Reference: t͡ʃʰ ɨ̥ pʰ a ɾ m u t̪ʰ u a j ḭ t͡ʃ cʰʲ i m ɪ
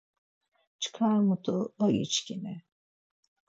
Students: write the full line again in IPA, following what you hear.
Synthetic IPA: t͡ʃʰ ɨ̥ kʰ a ɾ m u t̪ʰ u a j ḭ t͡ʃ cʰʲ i n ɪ